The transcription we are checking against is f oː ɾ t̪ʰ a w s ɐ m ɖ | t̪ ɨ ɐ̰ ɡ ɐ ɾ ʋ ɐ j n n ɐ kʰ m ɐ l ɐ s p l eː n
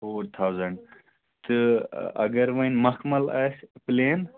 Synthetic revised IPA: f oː ɾ t̪ʰ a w z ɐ ɳ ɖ | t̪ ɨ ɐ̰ ɡ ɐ ɾ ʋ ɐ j n m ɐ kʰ m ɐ l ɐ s p l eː n